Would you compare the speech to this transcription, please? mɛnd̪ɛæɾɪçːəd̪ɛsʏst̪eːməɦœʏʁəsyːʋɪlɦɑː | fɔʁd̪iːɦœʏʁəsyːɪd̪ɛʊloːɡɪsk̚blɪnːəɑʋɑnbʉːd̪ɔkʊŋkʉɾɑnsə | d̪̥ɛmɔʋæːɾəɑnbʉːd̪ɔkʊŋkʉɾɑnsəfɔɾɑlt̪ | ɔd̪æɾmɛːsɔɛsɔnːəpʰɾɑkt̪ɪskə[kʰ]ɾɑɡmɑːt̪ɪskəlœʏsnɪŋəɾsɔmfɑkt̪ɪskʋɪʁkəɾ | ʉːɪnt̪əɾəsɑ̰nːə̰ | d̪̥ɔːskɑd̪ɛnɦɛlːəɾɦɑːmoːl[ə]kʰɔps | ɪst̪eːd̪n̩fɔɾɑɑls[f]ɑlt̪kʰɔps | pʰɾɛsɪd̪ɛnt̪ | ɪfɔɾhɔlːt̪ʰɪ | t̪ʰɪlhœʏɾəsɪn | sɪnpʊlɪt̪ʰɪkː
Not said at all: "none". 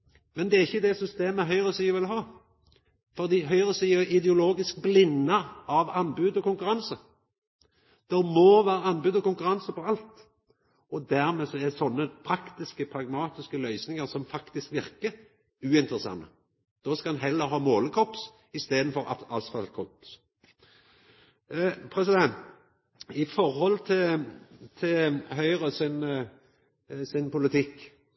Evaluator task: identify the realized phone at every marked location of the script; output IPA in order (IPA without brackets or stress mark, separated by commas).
pʰ, ə, f